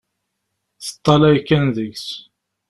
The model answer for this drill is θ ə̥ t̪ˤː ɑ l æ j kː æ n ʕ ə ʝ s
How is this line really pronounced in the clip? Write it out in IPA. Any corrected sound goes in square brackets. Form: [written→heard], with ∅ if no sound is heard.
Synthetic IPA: θ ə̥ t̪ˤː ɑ l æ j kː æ n [ʕ→ð] ə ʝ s